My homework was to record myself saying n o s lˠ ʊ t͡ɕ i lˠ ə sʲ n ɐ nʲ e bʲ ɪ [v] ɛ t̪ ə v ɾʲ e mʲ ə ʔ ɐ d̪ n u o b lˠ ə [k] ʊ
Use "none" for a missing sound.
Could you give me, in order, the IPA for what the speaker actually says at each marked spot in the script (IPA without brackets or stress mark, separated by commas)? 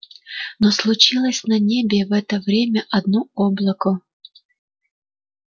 v, k